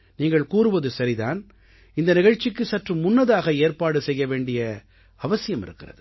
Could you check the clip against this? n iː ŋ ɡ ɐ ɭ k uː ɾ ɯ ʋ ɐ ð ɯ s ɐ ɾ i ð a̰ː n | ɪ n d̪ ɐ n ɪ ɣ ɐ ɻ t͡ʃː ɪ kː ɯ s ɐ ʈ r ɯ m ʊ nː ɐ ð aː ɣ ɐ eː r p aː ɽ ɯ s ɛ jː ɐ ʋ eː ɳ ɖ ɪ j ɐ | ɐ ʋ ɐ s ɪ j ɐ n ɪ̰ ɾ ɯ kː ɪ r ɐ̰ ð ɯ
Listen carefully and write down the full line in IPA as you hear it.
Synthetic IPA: n iː ŋ ɡ ɐ ɭ k uː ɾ ɯ ʋ ɐ ð ɯ s ɐ ɾ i ð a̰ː n | ɪ n d̪ ɐ n ɪ ɣ ɐ ɻ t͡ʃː ɪ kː ɯ s ɐ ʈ r ɯ m ʊ nː ɐ ð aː ɣ ɐ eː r p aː ɽ ɯ s ɛ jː ɐ ʋ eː ɳ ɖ ɪ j ɐ | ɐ ʋ ɐ s ɪ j ɐ m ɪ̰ ɾ ɯ kː ɪ r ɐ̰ ð ɯ